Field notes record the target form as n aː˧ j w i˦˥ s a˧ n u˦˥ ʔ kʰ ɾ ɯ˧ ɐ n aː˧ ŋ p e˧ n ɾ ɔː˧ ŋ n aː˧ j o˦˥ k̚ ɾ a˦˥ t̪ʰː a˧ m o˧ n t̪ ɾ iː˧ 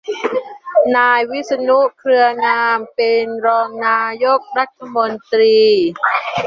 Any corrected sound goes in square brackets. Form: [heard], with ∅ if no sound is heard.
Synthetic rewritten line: n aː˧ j w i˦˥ s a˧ n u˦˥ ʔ kʰ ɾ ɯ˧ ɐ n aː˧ [m] p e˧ n ɾ ɔː˧ ŋ n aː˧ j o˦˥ k̚ ɾ a˦˥ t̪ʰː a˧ m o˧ n t̪ ɾ iː˧

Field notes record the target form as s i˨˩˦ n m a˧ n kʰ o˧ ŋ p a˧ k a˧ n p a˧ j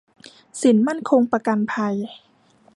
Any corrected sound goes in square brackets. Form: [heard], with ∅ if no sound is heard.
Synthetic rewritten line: s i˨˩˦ n m [a˥˩] n kʰ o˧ ŋ p a˧ k a˧ n [pʰ] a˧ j

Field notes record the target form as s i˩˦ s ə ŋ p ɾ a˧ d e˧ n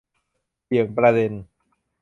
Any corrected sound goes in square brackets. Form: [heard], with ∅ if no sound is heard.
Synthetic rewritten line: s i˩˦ [∅] ə ŋ p ɾ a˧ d e˧ n

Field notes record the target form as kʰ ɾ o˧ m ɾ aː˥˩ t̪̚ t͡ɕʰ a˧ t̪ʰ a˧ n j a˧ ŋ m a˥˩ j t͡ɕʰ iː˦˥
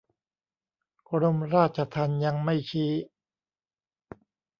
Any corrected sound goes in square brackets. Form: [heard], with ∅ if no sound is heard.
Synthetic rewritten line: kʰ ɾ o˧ m ɾ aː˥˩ t̪̚ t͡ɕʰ a˧ t̪ʰ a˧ n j a˧ ŋ m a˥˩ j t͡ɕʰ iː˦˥

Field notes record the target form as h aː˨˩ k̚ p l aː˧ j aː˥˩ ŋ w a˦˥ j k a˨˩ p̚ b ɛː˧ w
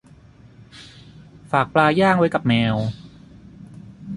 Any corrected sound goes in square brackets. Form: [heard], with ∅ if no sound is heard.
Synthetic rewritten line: [f] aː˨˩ k̚ p l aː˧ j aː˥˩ ŋ w a˦˥ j k a˨˩ p̚ [m] ɛː˧ w

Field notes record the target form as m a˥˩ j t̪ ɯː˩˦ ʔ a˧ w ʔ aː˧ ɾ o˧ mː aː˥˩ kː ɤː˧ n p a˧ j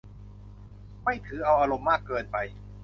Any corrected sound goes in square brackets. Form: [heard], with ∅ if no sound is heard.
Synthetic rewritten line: m a˥˩ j [t̪ʰ] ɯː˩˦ ʔ a˧ w ʔ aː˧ ɾ o˧ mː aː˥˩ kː ɤː˧ n p a˧ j

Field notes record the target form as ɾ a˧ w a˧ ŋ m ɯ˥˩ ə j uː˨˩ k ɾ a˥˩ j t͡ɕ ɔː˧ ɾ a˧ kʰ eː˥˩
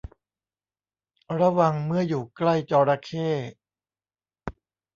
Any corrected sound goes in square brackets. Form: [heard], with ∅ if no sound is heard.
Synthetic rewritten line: ɾ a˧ w a˧ ŋ m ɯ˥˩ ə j uː˨˩ k [l] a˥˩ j t͡ɕ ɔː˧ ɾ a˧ kʰ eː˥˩

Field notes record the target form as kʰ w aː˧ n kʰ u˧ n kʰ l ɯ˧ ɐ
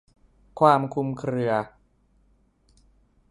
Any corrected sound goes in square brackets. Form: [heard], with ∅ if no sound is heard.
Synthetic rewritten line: kʰ w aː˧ [m] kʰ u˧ [m] kʰ [ɾ] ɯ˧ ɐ

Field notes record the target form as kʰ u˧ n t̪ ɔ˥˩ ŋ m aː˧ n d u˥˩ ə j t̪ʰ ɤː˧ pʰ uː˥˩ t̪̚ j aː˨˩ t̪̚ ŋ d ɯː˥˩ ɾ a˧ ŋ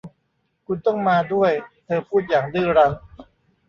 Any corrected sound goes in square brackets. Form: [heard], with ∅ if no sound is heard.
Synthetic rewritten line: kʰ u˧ n t̪ ɔ˥˩ ŋ m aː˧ [∅] d u˥˩ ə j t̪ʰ ɤː˧ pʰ uː˥˩ t̪̚ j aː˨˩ [∅] ŋ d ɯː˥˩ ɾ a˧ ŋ

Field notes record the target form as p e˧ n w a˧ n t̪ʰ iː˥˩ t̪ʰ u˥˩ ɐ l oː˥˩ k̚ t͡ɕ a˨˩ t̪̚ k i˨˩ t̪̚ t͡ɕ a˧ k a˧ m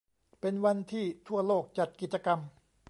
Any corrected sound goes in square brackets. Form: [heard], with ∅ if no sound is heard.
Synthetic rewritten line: p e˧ n w a˧ n t̪ʰ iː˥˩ t̪ʰ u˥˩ ɐ l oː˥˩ k̚ t͡ɕ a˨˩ t̪̚ k i˨˩ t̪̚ t͡ɕ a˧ k a˧ m

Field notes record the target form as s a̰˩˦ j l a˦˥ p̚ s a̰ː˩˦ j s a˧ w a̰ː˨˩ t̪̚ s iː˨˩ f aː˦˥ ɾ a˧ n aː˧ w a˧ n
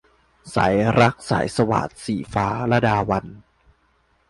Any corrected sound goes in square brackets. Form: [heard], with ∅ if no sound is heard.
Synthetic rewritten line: s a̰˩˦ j [ɾ] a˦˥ [k̚] s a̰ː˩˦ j s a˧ w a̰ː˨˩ t̪̚ s iː˨˩ f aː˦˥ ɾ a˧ [d] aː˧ w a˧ n

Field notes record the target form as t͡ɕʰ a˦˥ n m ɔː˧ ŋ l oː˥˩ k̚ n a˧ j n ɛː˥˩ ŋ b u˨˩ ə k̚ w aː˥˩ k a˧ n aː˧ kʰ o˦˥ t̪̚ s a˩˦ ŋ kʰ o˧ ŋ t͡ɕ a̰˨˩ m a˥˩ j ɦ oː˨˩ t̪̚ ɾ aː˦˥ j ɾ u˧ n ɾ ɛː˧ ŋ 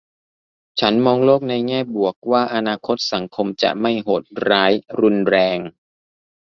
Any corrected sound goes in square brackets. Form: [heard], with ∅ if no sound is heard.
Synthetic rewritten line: t͡ɕʰ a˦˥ n m ɔː˧ ŋ l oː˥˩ k̚ n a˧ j [ŋ] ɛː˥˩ [∅] b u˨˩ ə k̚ w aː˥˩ [ʔ] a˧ n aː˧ kʰ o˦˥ t̪̚ s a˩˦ ŋ kʰ o˧ [m] t͡ɕ a̰˨˩ m a˥˩ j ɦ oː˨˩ t̪̚ ɾ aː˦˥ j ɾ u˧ n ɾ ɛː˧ ŋ

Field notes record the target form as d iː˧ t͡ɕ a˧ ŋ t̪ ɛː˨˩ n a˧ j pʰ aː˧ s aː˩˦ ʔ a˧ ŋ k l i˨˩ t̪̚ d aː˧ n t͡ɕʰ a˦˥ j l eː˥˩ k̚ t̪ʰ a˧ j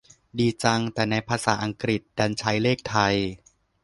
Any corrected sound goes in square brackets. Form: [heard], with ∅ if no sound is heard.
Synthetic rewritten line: d iː˧ t͡ɕ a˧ ŋ t̪ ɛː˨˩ n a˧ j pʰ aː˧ s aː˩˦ ʔ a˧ ŋ k [ɾ] i˨˩ t̪̚ d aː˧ n t͡ɕʰ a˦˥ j l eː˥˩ k̚ t̪ʰ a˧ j

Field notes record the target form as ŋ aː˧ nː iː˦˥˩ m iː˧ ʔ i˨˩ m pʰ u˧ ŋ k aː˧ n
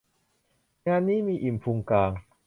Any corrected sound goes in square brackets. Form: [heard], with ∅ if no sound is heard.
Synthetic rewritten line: ŋ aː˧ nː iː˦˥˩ m iː˧ ʔ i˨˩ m pʰ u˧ ŋ k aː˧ [ŋ]

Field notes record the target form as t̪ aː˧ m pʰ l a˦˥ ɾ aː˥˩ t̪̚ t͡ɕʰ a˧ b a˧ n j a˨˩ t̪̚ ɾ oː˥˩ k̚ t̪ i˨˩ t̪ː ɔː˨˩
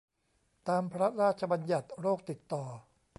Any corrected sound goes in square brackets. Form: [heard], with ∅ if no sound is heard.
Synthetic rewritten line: t̪ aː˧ m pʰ [ɾ] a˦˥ ɾ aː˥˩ t̪̚ t͡ɕʰ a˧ b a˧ n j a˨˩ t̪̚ ɾ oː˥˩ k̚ t̪ i˨˩ t̪ː ɔː˨˩

